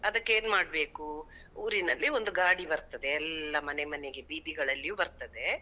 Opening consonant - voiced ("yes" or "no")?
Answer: yes